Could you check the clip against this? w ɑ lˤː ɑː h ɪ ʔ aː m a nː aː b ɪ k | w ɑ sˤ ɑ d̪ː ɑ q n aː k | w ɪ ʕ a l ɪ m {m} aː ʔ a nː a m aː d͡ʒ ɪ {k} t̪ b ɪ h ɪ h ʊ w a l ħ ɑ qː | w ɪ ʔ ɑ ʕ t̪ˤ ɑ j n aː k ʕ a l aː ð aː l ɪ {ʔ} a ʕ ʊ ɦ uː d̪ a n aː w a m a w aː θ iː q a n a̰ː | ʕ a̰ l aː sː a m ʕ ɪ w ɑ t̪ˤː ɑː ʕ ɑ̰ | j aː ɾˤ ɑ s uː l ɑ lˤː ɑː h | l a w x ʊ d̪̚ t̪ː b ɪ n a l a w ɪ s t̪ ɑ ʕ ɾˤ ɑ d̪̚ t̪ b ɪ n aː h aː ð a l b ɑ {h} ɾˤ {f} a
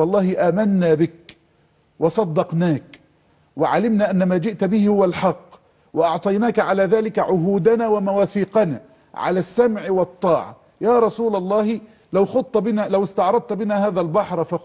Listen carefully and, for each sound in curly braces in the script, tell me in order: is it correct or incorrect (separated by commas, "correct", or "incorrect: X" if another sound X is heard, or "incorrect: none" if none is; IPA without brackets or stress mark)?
incorrect: n, incorrect: ʔ, incorrect: k, incorrect: ħ, correct